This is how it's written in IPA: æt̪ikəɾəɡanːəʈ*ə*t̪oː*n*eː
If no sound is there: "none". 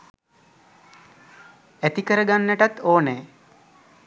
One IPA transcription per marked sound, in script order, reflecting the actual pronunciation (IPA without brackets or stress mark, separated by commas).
a, n